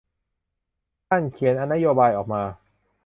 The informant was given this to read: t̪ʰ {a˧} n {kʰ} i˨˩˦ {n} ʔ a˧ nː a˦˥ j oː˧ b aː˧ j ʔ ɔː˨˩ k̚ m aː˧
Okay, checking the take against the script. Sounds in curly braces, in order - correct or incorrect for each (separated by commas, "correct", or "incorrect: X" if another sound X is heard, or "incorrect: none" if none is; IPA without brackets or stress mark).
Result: incorrect: a˥˩, correct, correct